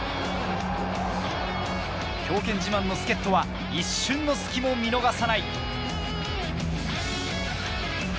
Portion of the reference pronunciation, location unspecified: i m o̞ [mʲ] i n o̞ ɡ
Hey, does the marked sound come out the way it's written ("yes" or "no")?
yes